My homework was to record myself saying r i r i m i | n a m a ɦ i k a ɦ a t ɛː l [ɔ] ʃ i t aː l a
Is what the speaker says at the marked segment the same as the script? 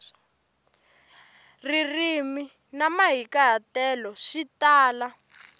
yes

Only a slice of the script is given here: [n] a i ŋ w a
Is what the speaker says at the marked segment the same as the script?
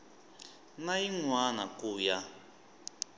yes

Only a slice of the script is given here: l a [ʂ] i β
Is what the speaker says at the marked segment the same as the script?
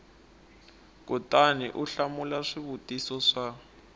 yes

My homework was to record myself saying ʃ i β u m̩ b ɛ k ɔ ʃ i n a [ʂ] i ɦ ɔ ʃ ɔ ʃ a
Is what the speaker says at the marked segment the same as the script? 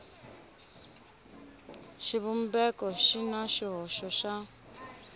no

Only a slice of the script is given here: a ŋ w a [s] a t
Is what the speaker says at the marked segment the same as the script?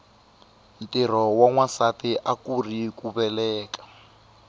yes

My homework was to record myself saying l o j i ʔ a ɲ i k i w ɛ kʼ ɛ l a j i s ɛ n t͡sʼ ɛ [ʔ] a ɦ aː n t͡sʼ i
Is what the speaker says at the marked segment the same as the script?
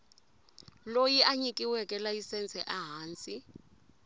yes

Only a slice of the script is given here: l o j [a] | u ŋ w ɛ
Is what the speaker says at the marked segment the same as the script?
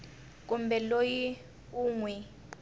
no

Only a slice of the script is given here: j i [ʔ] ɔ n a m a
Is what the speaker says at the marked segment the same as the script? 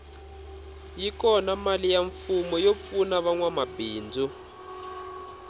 no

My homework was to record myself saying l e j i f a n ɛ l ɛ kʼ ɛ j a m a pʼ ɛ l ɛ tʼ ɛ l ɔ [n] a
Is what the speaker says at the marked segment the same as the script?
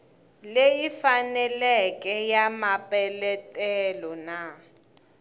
yes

